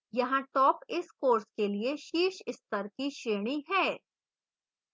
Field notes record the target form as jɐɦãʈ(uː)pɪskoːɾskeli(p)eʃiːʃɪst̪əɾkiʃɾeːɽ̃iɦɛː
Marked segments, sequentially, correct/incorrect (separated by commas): incorrect, incorrect